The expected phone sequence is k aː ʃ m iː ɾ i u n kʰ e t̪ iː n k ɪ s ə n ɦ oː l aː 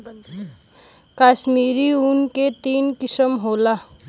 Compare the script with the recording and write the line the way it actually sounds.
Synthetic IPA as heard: k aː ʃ m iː ɾ i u n k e t̪ iː n k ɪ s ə m ɦ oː l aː